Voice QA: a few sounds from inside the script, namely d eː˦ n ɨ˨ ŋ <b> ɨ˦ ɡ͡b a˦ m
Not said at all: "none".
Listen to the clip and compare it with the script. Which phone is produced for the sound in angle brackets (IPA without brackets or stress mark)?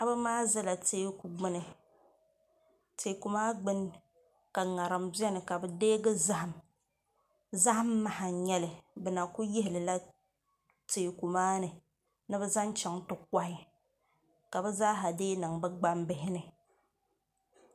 b